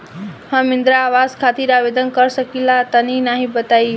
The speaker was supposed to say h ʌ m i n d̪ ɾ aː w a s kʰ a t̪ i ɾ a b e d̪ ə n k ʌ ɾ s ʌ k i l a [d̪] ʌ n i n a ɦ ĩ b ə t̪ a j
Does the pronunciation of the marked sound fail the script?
yes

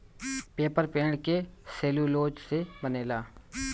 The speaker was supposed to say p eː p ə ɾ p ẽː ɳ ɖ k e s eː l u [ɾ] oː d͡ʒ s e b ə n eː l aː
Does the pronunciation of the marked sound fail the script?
yes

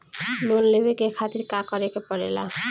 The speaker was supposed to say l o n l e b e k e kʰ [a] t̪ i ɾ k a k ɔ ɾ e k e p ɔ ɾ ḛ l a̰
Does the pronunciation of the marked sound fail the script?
no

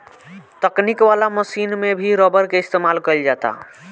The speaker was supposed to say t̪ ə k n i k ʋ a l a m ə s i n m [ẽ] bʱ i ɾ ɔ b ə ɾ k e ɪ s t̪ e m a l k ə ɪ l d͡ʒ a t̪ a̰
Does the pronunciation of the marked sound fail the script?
yes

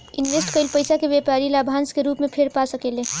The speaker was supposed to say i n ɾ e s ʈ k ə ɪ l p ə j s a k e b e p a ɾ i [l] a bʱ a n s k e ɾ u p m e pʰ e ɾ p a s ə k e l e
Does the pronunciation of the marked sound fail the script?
no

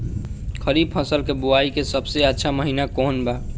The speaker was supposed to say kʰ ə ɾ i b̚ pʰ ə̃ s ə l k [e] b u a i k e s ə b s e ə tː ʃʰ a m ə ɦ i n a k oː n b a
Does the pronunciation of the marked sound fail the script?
no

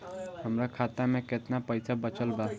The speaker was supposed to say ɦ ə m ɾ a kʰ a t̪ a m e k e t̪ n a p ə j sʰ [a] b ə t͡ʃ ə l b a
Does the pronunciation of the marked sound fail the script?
no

